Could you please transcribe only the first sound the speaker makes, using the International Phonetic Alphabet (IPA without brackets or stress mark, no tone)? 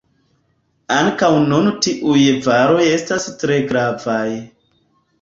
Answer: a